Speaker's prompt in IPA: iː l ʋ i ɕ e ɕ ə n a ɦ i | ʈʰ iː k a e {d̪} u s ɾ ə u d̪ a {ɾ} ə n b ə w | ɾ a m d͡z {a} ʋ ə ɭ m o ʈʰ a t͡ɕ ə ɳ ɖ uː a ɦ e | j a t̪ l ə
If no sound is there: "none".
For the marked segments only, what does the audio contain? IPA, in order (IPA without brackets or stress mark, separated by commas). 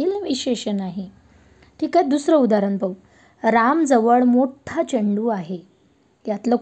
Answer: d̪, ɾ, ə